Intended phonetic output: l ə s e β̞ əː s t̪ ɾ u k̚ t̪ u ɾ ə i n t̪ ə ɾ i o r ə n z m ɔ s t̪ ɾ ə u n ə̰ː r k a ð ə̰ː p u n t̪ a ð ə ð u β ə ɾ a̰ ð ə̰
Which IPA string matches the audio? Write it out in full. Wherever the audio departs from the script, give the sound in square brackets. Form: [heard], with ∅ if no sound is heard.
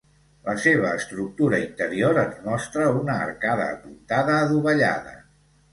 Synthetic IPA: l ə s e β̞ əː s t̪ ɾ u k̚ t̪ u ɾ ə i n t̪ ə ɾ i o [ɾ] ə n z m ɔ s t̪ ɾ ə u n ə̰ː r k a ð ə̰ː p u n t̪ a ð [əː] ð u β ə [ʎ] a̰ ð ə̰